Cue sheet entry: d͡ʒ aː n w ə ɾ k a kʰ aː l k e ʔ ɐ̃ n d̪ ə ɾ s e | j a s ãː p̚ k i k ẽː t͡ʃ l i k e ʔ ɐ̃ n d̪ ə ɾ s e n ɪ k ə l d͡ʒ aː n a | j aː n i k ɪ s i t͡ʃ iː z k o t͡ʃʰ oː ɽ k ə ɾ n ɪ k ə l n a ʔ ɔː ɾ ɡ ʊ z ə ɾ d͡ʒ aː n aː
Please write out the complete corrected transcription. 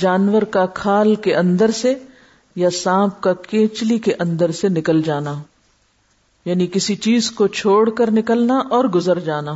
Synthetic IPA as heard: d͡ʒ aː n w ə ɾ k a kʰ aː l k e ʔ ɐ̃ n d̪ ə ɾ s e | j a s ãː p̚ k a k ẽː t͡ʃ l i k e ʔ ɐ̃ n d̪ ə ɾ s e n ɪ k ə l d͡ʒ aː n a | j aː n i k ɪ s i t͡ʃ iː z k o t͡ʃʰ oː ɽ k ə ɾ n ɪ k ə l n a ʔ ɔː ɾ ɡ ʊ z ə ɾ d͡ʒ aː n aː